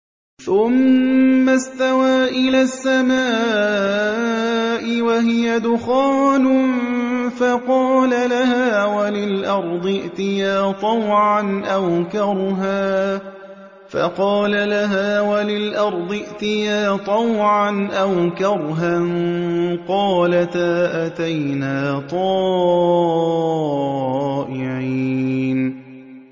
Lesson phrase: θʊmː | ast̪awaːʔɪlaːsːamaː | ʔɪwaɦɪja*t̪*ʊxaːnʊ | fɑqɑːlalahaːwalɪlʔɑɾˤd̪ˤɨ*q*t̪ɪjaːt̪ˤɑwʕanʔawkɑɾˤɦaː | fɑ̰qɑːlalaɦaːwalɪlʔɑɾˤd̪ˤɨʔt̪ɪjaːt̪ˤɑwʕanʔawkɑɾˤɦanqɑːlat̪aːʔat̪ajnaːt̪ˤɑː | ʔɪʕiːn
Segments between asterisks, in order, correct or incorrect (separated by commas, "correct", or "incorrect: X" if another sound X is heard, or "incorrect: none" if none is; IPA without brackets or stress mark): incorrect: d̪, incorrect: ʔ